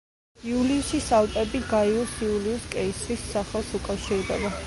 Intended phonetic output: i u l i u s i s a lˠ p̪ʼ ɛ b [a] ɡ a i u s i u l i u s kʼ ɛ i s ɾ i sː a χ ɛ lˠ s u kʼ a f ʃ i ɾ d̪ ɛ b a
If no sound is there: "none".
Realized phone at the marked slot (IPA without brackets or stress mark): i